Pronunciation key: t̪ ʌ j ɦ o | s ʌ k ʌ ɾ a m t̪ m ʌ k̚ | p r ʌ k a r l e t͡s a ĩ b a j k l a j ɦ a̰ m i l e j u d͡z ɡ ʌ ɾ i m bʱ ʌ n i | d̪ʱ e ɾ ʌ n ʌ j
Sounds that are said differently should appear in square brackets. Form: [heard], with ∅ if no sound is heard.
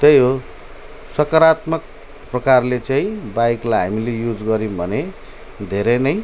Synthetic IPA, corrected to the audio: t̪ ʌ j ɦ o | s ʌ k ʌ ɾ a [∅] t̪ m ʌ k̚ | p r ʌ k a r l e t͡s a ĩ b a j k l a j ɦ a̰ m i l e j u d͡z ɡ ʌ ɾ i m bʱ ʌ n [e] | d̪ʱ e ɾ ʌ n ʌ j